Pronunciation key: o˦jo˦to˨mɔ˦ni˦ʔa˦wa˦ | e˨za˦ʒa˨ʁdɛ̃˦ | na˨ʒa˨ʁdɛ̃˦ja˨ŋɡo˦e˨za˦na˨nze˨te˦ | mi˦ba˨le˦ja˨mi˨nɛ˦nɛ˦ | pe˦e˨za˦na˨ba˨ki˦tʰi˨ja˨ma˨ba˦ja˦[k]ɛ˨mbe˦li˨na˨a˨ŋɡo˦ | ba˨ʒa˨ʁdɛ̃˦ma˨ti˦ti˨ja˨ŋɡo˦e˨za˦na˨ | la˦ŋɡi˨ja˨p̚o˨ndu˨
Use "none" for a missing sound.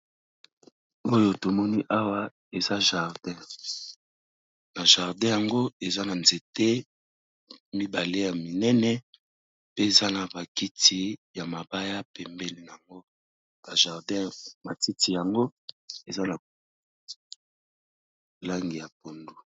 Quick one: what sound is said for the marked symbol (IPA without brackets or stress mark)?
p